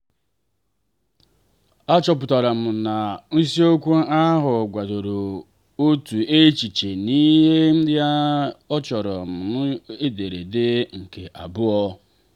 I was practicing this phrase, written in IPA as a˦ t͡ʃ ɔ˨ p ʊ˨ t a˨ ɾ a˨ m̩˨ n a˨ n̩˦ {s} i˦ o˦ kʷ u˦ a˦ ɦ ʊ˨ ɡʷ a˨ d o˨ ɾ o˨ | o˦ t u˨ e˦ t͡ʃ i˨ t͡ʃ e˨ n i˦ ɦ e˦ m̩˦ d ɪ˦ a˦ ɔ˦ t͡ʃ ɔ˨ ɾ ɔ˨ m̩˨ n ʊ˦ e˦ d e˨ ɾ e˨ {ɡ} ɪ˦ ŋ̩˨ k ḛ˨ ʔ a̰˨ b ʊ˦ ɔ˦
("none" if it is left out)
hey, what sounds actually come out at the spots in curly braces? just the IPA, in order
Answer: s, d

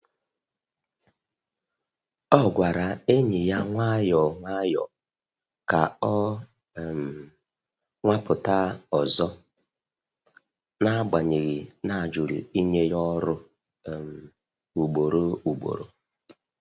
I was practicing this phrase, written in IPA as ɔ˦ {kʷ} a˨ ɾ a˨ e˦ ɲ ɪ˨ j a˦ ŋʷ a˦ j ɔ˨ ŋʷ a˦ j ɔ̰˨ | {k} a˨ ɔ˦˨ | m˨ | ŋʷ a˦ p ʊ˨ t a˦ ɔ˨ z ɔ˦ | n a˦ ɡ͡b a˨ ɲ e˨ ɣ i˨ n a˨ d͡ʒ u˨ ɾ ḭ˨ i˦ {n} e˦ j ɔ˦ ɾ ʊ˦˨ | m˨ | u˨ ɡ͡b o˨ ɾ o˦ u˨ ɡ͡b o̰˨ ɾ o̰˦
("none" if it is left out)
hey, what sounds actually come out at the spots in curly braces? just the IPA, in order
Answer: ɡʷ, k, ɲ

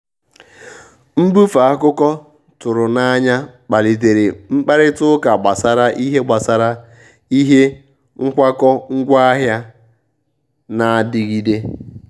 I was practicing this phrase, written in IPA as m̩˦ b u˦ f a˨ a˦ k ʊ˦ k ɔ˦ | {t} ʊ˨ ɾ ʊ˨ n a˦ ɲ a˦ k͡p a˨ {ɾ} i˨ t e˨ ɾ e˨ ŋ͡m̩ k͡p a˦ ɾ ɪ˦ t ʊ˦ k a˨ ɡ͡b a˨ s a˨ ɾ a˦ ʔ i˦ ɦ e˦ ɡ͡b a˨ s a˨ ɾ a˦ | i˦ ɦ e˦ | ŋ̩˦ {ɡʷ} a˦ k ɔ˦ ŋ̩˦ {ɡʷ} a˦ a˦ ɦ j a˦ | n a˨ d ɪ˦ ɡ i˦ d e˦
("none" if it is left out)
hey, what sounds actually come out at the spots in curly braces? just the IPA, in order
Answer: t, l, kʷ, ɡʷ

